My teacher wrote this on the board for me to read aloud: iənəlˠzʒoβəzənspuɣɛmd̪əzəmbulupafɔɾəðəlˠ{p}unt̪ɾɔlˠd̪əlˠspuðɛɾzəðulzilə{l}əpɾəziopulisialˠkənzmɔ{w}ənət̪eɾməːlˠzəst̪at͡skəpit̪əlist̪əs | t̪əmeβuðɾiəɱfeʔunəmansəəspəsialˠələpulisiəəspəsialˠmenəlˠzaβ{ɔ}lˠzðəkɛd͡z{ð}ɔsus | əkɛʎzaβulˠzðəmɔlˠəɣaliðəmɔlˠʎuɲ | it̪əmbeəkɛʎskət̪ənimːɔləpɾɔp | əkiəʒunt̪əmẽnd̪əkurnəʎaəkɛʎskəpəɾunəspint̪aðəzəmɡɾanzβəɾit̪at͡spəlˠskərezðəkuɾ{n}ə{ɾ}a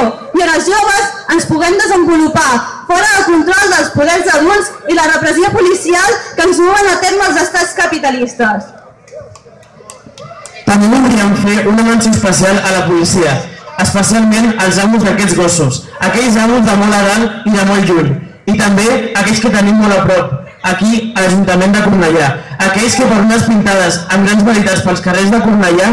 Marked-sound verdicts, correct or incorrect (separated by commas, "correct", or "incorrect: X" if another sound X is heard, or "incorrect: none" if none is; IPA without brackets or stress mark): incorrect: k, incorrect: r, incorrect: β, incorrect: u, incorrect: ɣ, correct, incorrect: ʎ